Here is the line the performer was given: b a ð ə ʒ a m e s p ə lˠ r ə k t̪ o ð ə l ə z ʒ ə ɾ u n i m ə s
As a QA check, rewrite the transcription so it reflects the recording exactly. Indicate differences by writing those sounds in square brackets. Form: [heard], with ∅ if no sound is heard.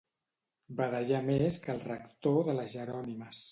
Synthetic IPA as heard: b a ð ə ʒ a m e s [k] ə lˠ r ə k t̪ o ð ə l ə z ʒ ə ɾ [ɔ] n i m ə s